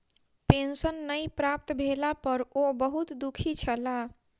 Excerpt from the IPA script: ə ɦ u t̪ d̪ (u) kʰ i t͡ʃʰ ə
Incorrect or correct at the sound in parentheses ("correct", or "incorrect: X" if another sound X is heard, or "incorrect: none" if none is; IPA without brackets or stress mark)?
correct